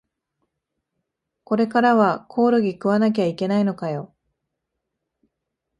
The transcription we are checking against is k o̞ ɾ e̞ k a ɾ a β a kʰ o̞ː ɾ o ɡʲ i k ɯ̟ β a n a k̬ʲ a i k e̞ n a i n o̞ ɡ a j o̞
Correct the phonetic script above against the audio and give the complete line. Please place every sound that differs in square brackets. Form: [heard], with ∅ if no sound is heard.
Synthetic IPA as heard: k o̞ ɾ e̞ k a ɾ a β a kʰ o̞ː ɾ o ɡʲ i k ɯ̟ β a n a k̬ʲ a i k e̞ n a i n o̞ [k] a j o̞